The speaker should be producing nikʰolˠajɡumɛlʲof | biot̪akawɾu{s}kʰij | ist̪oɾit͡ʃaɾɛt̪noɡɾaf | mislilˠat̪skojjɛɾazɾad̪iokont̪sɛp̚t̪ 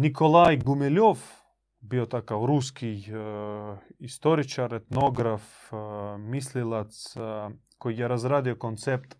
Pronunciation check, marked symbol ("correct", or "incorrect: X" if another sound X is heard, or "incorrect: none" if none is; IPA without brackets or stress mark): correct